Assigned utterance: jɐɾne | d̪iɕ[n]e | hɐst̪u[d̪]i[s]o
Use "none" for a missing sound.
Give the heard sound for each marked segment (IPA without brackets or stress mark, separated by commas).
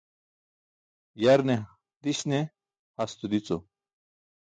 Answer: n, d̪, t͡s